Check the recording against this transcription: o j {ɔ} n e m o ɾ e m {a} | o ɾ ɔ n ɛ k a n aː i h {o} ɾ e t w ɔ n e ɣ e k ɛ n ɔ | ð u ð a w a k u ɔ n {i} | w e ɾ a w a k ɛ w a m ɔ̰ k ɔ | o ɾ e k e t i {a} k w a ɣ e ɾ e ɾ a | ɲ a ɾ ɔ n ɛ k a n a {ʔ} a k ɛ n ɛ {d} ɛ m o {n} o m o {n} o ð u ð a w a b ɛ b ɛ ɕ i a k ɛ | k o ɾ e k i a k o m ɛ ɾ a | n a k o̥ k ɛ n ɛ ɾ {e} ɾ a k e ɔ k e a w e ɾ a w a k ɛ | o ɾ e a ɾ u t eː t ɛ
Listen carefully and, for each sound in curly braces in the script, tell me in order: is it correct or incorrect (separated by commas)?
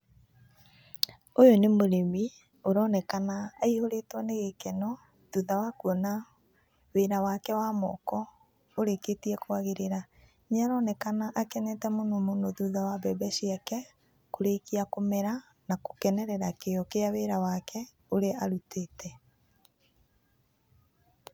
incorrect, incorrect, correct, incorrect, incorrect, correct, incorrect, correct, correct, incorrect